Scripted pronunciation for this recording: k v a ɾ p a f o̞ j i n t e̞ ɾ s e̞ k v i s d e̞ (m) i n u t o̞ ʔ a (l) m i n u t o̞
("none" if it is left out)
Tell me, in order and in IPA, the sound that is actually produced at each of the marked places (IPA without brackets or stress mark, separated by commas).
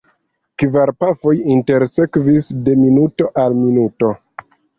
m, l